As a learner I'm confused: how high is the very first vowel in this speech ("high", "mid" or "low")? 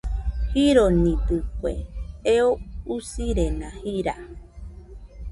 high